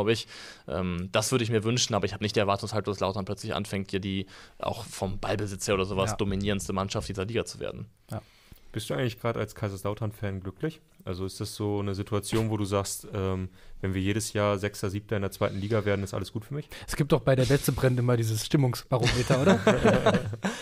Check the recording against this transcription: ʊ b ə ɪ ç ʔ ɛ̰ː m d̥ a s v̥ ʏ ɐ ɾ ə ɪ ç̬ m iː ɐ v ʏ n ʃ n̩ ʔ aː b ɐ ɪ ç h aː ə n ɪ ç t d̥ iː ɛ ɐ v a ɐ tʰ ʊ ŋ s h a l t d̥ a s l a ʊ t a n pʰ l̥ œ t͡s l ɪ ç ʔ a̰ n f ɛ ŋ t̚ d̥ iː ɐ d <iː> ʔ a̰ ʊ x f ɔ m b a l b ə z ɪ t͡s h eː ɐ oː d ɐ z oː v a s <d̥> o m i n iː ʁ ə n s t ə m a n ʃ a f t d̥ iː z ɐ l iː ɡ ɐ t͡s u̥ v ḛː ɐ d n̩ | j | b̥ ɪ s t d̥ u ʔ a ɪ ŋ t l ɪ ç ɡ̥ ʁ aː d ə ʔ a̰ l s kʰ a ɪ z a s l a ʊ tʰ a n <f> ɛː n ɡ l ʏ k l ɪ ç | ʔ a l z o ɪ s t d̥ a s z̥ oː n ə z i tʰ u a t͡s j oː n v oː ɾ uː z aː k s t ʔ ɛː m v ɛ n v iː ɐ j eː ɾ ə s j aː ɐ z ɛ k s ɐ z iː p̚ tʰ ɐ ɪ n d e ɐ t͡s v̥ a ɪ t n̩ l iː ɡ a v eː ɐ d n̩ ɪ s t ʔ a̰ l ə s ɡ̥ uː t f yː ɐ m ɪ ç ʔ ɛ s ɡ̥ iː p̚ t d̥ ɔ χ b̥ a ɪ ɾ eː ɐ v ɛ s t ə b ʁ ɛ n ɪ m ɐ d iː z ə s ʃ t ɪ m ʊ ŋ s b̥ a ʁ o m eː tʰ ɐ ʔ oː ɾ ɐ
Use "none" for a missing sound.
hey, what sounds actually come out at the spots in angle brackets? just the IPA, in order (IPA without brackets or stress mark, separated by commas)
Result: iː, d̥, f